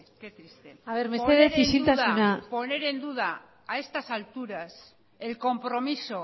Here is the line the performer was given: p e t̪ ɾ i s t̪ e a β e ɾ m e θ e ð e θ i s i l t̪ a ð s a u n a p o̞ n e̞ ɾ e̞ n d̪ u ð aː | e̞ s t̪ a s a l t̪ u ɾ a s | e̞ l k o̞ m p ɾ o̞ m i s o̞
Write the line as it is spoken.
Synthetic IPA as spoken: k e t̪ ɾ i s t̪ e a β e ɾ m e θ e ð e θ i s i l t̪ a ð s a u n a p o̞ n e̞ ɾ e̞ n d̪ u ð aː | e̞ s t̪ a s a l t̪ u ɾ a s | e̞ l k o̞ m p ɾ o̞ m i s o̞